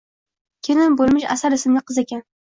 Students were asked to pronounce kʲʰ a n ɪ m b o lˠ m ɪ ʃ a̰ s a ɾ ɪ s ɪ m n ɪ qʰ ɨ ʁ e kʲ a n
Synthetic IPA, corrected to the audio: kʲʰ e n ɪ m b o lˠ m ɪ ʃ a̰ s a ɾ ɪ s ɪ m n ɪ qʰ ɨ z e kʲ a n